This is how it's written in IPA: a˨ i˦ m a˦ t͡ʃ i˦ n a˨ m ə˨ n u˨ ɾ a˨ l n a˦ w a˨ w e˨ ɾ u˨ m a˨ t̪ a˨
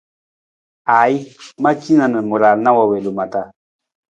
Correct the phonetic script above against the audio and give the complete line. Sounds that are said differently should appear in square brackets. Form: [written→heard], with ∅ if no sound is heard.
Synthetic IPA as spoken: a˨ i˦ m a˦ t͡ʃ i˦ n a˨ [m→n] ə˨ [n→m] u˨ ɾ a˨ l n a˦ w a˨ w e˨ [ɾ→l] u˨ m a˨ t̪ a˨